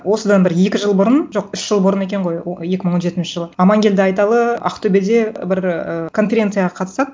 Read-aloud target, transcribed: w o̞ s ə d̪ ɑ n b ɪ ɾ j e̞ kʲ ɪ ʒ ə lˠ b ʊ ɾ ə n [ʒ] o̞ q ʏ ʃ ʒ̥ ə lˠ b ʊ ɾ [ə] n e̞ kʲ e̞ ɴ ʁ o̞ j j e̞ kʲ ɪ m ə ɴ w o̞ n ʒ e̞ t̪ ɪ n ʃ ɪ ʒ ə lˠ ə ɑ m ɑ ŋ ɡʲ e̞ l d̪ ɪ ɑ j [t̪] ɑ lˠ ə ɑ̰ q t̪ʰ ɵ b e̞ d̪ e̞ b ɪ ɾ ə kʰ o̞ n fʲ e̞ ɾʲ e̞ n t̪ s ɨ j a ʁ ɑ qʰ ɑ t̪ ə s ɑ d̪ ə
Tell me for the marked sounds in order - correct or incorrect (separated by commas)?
correct, correct, correct